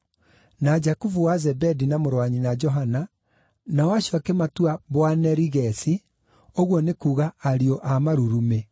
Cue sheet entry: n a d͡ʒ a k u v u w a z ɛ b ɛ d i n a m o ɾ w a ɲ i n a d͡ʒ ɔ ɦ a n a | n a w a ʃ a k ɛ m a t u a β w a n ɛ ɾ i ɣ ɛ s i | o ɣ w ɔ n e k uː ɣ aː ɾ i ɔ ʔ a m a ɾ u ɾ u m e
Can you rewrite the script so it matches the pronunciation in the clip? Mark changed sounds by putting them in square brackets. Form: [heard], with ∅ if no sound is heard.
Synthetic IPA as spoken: n a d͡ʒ a k u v u w a z ɛ b ɛ d i n a m o ɾ w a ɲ i n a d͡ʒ ɔ ɦ a n a | n a w a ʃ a k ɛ m a t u a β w a n ɛ ɾ i ɣ ɛ s i | o ɣ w ɔ n e k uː ɣ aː ɾ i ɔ ʔ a m a ɾ u ɾ u m e